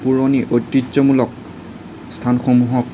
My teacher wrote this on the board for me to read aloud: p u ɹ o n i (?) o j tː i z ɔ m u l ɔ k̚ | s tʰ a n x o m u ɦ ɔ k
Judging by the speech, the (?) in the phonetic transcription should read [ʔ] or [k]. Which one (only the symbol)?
ʔ